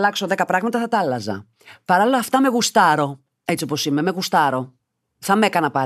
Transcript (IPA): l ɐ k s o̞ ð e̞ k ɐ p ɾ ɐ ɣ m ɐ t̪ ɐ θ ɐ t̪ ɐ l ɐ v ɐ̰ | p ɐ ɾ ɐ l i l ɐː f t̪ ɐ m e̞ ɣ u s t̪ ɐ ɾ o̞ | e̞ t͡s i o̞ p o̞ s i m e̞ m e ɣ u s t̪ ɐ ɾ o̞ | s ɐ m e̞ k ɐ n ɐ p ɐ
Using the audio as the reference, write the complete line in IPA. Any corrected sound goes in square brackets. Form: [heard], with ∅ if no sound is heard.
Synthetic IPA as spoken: l ɐ k s o̞ ð e̞ k ɐ p ɾ ɐ ɣ m ɐ t̪ ɐ θ ɐ t̪ ɐ l ɐ [z] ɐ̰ | p ɐ ɾ ɐ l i l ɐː f t̪ ɐ m e̞ ɣ u s t̪ ɐ ɾ o̞ | e̞ t͡s i o̞ p o̞ s i m e̞ m e ɣ u s t̪ ɐ ɾ o̞ | [θ] ɐ m e̞ k ɐ n ɐ p ɐ